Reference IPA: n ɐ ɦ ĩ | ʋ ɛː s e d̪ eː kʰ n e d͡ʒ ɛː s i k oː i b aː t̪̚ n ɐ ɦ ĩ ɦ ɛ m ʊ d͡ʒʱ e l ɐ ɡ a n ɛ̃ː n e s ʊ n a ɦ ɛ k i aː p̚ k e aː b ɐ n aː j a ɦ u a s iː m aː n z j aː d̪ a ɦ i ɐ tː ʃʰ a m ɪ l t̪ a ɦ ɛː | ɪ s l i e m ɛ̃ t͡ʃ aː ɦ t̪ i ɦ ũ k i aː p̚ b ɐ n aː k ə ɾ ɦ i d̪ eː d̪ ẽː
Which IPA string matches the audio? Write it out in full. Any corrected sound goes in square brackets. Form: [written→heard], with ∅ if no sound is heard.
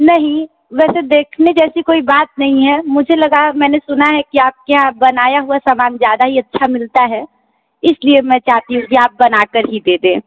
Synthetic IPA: n ɐ ɦ ĩ | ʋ ɛː s e d̪ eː kʰ n e d͡ʒ ɛː s i k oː i b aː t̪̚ n ɐ ɦ ĩ ɦ ɛ m ʊ d͡ʒʱ e l ɐ ɡ a [n→m] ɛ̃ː n e s ʊ n a ɦ ɛ k i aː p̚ k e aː b ɐ n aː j a ɦ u a s [iː→aː] m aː n z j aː d̪ a ɦ i ɐ tː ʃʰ a m ɪ l t̪ a ɦ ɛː | ɪ s l i e m ɛ̃ t͡ʃ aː ɦ t̪ i ɦ ũ k i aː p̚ b ɐ n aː k ə ɾ ɦ i d̪ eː d̪ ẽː

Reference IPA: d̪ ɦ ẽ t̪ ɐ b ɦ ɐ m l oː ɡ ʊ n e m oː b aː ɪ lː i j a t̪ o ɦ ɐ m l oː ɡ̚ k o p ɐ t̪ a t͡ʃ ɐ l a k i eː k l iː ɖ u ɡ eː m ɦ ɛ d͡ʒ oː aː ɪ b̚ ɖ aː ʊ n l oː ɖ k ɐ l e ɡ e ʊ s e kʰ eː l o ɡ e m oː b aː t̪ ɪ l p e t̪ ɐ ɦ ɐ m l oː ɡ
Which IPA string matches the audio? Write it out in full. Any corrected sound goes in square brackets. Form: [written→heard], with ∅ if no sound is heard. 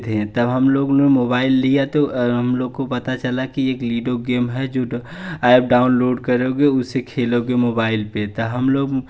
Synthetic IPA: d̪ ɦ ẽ t̪ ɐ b ɦ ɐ m l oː ɡ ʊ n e m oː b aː ɪ lː i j a t̪ o ɦ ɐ m l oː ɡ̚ k o p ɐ t̪ a t͡ʃ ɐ l a k i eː k l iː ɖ [u→o] ɡ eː m ɦ ɛ d͡ʒ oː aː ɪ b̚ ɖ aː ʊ n l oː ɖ k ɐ [l→ɾ] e ɡ e ʊ s e kʰ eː l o ɡ e m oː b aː [t̪→∅] ɪ l p e t̪ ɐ ɦ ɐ m l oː ɡ

